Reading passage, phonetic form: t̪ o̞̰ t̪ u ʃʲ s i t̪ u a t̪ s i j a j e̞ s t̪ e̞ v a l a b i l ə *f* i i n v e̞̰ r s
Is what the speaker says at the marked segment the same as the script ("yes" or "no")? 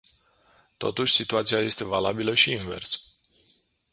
no